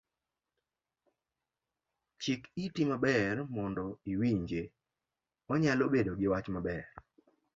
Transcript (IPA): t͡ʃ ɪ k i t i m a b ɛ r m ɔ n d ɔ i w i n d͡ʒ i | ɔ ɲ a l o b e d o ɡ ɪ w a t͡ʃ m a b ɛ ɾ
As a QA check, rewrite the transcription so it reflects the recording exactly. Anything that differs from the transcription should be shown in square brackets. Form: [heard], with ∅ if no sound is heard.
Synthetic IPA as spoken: t͡ʃ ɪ k i t i m a b ɛ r m ɔ n d ɔ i w i [ɲ] d͡ʒ [e] | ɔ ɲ a l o b e d o ɡ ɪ w a t͡ʃ m a b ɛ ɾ